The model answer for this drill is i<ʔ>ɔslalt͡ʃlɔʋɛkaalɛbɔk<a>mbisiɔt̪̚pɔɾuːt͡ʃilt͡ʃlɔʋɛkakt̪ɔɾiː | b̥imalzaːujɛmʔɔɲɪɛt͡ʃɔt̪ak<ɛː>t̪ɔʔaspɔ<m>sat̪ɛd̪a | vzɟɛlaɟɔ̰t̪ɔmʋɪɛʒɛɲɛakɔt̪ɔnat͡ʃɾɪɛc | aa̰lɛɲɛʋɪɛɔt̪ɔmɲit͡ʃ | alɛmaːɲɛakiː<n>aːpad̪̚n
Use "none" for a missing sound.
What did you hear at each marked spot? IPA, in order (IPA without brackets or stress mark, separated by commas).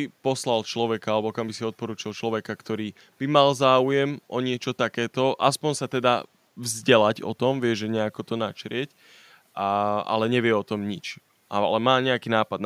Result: p, a, ɛː, ɲ, n